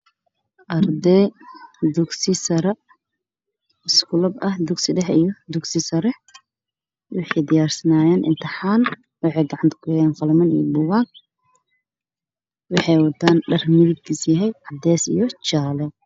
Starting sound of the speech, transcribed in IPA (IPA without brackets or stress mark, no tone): ʔ